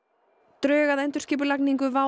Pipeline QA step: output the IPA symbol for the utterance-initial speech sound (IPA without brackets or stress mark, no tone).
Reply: t̪